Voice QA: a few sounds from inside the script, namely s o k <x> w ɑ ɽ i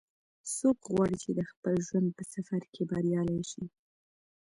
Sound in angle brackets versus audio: incorrect: ɣ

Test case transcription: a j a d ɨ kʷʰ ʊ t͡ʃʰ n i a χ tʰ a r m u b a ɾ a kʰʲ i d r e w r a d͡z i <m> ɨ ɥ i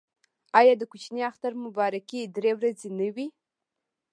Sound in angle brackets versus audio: incorrect: n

